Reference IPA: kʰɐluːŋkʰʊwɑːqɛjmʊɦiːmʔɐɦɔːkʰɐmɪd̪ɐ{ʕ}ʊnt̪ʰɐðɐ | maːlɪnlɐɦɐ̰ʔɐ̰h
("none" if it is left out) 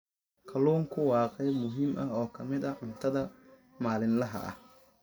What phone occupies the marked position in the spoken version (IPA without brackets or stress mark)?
ʕ